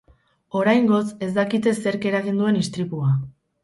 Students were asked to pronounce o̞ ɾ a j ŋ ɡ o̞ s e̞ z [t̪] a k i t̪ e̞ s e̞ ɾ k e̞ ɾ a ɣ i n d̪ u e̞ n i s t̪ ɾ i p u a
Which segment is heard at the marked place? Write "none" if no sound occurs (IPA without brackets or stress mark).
d̪